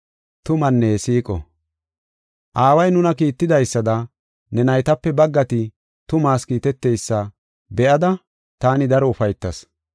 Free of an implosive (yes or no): yes